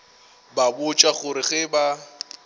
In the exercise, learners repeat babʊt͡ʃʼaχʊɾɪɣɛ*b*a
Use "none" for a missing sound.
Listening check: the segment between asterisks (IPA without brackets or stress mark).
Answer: b